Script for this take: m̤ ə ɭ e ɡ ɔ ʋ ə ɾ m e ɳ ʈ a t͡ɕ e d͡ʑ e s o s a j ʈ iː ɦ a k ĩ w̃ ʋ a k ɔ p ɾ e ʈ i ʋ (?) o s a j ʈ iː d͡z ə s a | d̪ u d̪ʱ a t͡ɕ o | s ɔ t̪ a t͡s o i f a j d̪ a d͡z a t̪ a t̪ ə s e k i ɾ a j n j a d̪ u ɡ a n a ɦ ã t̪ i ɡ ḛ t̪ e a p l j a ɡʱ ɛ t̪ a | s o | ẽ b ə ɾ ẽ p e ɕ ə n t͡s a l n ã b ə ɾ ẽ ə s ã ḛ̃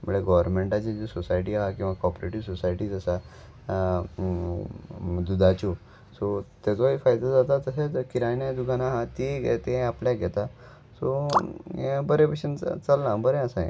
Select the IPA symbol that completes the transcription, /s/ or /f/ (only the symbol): s